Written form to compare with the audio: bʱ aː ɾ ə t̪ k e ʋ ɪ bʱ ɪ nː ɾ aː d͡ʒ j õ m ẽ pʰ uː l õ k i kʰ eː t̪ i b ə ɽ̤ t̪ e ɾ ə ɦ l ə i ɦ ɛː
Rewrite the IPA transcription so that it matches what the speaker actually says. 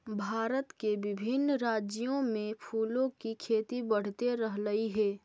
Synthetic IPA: bʱ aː ɾ ə t̪ k e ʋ ɪ bʱ ɪ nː ɾ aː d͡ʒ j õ m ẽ pʰ uː l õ k i kʰ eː t̪ i b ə ɽ̤ t̪ e ɾ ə ɦ l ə i ɦ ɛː